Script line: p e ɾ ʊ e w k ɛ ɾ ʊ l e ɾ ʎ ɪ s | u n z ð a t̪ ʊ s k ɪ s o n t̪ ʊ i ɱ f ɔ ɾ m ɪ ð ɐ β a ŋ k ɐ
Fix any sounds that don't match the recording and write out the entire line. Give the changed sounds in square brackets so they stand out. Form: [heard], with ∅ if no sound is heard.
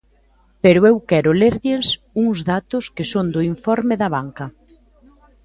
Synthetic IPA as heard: p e ɾ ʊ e w k ɛ ɾ ʊ l e ɾ ʎ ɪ s | u [ŋ] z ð a t̪ ʊ s k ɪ s o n [d̪] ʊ i ɱ f ɔ ɾ m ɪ ð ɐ β a ŋ k ɐ